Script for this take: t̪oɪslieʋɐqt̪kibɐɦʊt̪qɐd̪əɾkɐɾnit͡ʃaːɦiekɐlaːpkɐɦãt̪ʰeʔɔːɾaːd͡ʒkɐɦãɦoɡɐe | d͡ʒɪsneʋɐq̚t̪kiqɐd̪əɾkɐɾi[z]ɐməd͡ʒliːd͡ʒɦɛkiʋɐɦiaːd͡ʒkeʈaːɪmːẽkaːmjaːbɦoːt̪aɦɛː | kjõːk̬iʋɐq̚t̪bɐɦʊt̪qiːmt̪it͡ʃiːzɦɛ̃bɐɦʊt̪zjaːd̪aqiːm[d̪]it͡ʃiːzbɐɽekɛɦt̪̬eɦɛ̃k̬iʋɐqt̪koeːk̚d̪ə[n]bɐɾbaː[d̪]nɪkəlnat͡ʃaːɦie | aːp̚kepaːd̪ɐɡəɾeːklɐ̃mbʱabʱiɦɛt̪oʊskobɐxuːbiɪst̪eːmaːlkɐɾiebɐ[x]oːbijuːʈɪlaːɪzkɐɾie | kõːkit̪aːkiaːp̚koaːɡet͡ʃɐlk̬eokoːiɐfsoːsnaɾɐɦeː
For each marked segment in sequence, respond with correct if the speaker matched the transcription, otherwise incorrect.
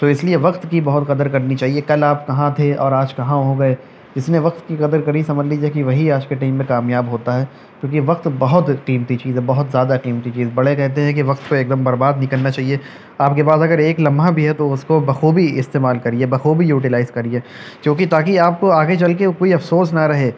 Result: incorrect: s, incorrect: t̪, incorrect: m, correct, correct

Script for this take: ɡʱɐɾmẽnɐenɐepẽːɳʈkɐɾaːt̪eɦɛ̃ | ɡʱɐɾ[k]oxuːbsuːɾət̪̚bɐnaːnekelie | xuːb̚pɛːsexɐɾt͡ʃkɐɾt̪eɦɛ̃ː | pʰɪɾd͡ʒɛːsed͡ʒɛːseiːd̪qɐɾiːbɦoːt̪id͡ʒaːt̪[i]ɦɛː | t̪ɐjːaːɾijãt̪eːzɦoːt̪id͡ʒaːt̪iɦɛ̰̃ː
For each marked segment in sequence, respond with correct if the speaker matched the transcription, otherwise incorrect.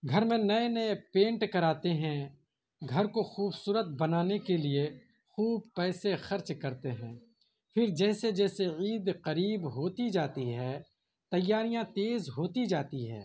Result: correct, correct

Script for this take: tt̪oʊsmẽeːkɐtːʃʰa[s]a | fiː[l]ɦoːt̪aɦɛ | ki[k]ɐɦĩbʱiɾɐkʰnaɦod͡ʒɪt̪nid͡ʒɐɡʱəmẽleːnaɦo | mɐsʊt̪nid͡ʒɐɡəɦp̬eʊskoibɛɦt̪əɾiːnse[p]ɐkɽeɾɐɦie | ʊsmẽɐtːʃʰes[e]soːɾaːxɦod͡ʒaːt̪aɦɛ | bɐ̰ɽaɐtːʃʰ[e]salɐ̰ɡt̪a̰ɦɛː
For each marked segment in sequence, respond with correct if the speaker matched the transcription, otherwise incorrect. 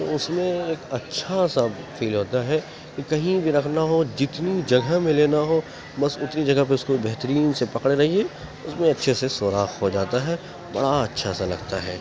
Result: correct, correct, correct, correct, correct, incorrect: a

